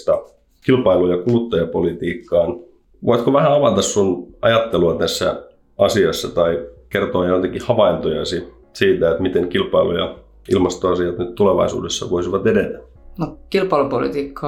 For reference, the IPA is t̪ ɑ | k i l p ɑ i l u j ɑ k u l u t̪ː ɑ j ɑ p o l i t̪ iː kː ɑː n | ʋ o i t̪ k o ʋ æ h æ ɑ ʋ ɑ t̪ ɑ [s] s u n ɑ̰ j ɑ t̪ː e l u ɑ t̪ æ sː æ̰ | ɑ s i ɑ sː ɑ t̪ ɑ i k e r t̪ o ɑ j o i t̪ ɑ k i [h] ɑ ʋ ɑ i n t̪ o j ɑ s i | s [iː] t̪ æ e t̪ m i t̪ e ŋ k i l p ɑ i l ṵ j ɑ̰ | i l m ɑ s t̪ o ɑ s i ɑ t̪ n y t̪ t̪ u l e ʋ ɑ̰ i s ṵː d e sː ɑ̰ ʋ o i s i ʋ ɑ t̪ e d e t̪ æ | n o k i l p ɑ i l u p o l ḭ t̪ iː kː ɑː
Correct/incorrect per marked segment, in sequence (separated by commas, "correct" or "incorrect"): correct, correct, correct